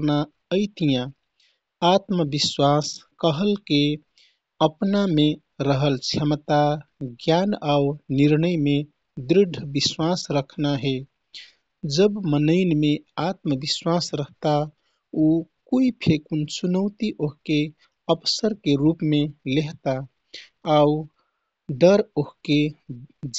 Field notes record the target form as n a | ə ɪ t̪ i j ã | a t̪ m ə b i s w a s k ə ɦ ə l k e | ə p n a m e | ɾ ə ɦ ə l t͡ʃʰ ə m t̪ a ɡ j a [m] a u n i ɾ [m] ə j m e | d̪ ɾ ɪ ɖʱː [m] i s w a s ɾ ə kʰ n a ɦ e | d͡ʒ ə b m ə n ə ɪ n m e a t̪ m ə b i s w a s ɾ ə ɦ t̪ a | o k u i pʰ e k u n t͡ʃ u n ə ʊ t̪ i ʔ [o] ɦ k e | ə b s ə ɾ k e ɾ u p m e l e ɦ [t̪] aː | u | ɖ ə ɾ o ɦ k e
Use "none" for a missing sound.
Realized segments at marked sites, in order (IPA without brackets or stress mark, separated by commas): n, n, b, o, t̪